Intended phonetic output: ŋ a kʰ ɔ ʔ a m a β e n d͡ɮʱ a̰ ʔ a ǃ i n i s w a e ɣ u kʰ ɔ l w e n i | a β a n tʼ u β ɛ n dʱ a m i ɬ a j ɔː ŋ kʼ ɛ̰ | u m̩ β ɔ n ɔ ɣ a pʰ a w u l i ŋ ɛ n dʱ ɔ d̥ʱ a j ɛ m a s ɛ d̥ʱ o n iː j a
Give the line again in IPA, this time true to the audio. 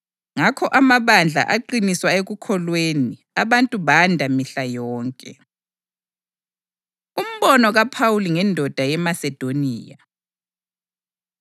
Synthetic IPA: ŋ a kʰ ɔ ʔ a m a β a n d͡ɮʱ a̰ ʔ a ǃ i n i s w a e ɣ u kʰ ɔ l w e n i | a β a n tʼ u β a n dʱ a m i ɬ a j ɔː ŋ kʼ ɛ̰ | u m̩ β ɔ n ɔ ɣ a pʰ a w u l i ŋ ɛ n dʱ ɔ d̥ʱ a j ɛ m a s ɛ d̥ʱ o n iː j a